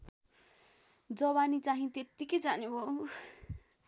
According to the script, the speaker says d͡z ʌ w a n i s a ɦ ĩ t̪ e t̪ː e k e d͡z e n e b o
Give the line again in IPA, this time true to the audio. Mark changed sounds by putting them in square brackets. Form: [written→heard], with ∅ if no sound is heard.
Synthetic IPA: d͡z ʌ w a n i [s→t͡s] a ɦ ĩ t̪ e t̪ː [e→i] k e d͡z [e→a] n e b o